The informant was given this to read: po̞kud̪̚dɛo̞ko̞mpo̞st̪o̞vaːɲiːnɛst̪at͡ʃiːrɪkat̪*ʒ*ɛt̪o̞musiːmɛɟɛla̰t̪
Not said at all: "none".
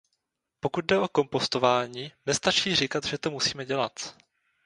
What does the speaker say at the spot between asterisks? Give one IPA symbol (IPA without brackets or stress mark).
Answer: ʒ